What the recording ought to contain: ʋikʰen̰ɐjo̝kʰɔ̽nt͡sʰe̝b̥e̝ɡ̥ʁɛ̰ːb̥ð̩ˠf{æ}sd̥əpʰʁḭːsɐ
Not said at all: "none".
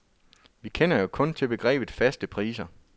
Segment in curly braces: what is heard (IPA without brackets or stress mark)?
æ